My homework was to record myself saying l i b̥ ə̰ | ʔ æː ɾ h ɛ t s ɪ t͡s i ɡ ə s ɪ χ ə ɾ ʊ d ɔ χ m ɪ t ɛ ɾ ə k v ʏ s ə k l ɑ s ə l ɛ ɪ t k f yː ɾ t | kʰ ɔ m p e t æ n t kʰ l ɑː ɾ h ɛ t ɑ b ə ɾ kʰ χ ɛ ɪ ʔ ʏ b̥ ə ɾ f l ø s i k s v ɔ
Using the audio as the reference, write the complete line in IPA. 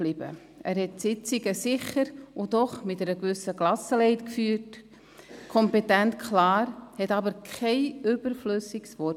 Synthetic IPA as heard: l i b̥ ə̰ | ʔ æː ɾ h ɛ t s ɪ t͡s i ɡ ə s ɪ χ ə ɾ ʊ d ɔ χ m ɪ t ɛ ɾ ə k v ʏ s ə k l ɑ s ə l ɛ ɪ t k f yː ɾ t | kʰ ɔ m p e t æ n t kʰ l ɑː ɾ h ɛ t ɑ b ə ɾ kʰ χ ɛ ɪ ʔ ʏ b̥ ə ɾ f l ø s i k s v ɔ